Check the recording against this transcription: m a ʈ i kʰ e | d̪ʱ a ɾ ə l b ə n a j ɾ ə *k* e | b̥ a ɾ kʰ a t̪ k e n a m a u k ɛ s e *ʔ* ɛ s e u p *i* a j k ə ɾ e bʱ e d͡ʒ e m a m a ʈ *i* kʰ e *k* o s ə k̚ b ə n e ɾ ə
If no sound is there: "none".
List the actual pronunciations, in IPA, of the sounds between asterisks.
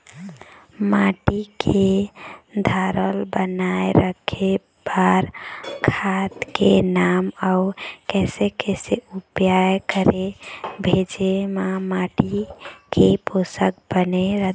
kʰ, k, j, i, p

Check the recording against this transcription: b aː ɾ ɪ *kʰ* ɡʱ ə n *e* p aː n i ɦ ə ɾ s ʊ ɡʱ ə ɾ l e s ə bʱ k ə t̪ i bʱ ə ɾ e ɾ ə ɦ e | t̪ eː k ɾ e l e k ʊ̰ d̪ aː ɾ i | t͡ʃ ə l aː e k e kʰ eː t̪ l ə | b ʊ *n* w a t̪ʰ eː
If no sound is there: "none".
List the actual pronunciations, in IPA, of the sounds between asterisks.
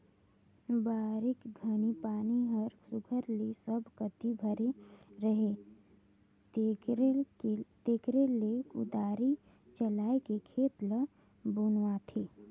k, i, n

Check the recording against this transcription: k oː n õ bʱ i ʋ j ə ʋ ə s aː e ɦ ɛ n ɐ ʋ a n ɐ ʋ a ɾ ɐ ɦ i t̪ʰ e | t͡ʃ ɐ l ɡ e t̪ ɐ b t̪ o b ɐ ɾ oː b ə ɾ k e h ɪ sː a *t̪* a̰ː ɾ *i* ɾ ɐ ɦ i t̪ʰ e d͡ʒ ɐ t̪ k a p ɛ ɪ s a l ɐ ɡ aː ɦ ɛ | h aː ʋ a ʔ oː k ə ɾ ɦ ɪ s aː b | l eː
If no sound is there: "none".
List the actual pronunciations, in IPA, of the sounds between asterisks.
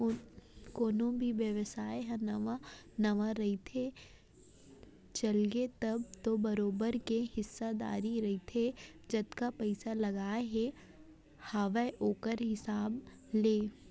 d̪, i

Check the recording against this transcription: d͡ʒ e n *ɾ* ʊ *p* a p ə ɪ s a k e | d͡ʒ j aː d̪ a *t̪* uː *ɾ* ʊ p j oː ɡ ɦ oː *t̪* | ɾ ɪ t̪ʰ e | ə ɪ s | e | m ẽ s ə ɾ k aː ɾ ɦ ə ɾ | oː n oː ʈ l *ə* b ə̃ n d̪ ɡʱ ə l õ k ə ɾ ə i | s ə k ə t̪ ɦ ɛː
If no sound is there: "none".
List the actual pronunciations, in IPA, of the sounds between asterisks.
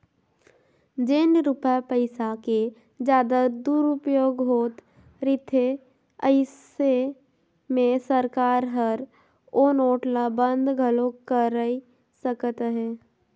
ɾ, p, d̪, ɾ, t̪, a

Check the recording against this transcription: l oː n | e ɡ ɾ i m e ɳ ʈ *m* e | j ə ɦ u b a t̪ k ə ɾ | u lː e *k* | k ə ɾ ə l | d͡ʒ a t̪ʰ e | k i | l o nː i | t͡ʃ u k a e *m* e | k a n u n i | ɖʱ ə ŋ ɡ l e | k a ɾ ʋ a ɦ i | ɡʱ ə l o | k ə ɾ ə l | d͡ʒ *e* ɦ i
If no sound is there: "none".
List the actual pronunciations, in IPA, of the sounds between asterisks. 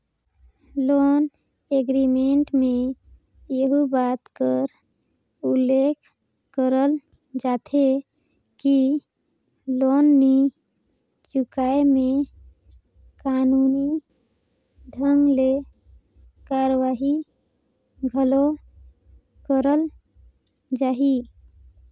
m, kʰ, m, a

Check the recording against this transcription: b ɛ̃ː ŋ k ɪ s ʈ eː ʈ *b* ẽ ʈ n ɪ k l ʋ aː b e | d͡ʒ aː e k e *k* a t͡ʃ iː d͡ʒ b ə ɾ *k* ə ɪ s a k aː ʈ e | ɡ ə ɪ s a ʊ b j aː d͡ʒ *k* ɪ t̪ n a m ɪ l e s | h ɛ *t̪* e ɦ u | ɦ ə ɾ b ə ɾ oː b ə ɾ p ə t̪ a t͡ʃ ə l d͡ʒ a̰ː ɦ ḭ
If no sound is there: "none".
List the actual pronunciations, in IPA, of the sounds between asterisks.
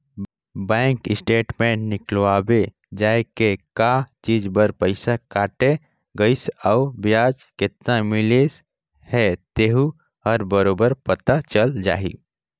m, k, p, k, t̪

